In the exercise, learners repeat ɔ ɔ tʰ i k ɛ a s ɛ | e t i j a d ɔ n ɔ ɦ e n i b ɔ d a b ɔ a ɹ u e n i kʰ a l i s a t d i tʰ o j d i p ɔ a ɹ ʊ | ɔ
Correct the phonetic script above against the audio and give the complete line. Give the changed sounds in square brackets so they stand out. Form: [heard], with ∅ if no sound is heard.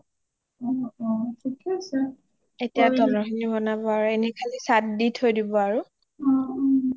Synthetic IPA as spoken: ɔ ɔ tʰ i k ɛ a s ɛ | e t i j a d ɔ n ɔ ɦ [i] n i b ɔ [n] a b ɔ a ɹ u e n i kʰ a l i s a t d i tʰ o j d i [b] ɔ a ɹ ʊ | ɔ